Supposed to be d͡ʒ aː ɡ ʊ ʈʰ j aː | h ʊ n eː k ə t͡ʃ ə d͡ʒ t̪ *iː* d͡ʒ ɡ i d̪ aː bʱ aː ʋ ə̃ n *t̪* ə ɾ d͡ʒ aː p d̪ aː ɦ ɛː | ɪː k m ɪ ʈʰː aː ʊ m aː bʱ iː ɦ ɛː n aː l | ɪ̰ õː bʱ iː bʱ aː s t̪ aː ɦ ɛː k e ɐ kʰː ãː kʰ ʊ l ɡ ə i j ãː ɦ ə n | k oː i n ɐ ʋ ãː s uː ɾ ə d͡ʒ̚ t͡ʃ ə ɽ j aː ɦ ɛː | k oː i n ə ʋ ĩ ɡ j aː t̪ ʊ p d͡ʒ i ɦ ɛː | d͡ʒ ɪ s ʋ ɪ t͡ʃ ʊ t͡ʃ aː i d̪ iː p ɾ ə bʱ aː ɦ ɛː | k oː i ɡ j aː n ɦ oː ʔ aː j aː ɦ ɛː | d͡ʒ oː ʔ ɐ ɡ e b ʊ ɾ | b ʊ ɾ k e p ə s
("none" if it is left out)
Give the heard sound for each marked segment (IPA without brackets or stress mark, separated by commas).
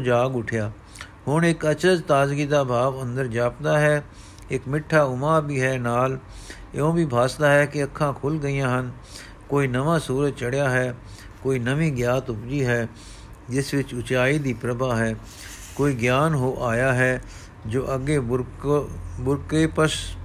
aː, d̪